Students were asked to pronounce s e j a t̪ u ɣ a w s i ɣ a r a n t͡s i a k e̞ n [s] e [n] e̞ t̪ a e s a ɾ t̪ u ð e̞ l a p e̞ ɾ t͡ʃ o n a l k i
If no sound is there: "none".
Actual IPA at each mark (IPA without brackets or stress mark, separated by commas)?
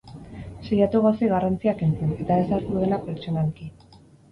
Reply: t͡s, n